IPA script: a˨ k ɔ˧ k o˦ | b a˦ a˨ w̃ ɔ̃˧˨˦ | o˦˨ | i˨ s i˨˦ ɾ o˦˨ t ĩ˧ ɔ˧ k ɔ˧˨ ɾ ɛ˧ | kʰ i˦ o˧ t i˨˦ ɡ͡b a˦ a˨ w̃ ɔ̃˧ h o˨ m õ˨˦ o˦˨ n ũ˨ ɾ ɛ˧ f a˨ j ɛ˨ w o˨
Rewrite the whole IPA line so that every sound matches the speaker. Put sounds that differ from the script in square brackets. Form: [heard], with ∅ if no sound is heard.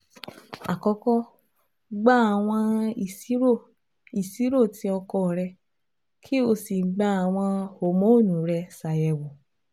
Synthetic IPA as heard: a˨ k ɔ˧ k [ɔ˦] | [ɡ͡b] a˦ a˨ w̃ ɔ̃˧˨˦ | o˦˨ | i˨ s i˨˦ ɾ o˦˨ t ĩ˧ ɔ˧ k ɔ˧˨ ɾ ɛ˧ | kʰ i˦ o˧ [s] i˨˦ ɡ͡b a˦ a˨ w̃ ɔ̃˧ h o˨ m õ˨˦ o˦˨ n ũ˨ ɾ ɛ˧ [s] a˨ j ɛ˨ w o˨